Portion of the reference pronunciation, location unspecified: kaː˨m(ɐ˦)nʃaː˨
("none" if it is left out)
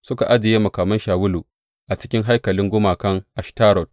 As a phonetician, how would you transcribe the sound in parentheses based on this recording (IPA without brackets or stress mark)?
ɐ˦